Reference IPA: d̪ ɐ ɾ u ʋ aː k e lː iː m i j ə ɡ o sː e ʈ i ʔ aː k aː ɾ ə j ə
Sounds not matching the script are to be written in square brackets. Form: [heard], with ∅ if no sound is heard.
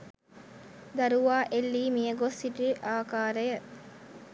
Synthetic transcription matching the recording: d̪ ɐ ɾ u ʋ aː [ʔ] e lː iː m i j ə ɡ o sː [i] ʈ i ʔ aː k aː ɾ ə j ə